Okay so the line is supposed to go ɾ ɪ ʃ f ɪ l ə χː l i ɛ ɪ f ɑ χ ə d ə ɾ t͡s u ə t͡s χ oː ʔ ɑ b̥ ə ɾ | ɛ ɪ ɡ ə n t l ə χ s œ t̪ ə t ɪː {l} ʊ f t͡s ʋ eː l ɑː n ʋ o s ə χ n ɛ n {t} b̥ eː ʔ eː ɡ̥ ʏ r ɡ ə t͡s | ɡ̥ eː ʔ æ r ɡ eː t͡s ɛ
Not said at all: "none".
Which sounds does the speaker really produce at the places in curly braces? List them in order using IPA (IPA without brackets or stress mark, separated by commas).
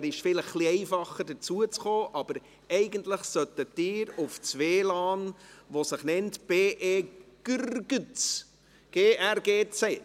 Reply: ɾ, t